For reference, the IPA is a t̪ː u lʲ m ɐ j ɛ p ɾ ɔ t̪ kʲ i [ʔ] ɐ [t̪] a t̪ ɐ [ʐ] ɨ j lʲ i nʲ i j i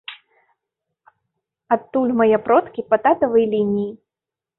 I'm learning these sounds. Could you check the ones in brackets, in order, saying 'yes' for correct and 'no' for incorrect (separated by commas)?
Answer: no, yes, no